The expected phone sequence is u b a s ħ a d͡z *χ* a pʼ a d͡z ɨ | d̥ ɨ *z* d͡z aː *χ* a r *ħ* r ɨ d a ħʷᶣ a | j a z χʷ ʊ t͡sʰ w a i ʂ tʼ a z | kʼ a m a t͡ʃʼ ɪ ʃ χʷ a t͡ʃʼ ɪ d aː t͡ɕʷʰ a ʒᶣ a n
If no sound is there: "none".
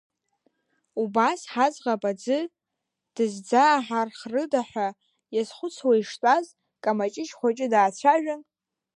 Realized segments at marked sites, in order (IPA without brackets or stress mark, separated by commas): ʁ, z, ħ, χ